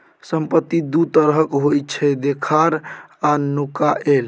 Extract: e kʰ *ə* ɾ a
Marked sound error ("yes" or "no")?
yes